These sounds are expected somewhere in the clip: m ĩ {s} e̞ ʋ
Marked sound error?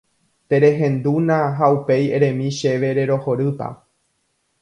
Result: yes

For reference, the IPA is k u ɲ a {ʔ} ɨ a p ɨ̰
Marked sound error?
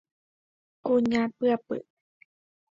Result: yes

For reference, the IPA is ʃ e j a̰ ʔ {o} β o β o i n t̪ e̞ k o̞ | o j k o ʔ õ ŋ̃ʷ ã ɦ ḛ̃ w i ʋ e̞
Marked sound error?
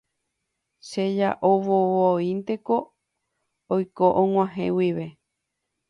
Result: no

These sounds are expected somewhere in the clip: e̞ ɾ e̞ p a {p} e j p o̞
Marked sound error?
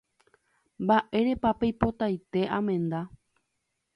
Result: no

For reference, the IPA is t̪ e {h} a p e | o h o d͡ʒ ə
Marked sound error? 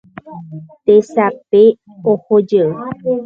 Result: yes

